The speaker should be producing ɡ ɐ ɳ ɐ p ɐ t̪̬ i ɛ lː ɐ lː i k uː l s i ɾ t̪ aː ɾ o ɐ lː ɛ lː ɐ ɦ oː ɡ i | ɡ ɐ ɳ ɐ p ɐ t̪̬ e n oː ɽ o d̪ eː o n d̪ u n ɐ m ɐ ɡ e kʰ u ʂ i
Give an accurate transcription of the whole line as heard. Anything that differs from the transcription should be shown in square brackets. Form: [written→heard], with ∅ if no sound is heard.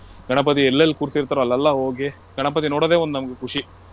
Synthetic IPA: ɡ ɐ ɳ ɐ p ɐ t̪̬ i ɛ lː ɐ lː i k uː [l→ɾ] s i ɾ t̪ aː ɾ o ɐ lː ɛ lː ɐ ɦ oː ɡ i | ɡ ɐ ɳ ɐ p ɐ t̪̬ [e→i] n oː ɽ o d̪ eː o n d̪ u n ɐ m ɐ ɡ e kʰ u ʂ i